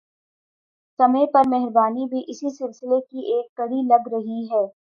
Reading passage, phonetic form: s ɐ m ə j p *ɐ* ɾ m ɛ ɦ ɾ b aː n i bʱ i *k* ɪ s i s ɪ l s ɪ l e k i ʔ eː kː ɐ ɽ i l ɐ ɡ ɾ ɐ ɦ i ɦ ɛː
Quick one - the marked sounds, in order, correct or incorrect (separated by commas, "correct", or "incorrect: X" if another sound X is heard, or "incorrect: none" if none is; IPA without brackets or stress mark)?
correct, incorrect: ʔ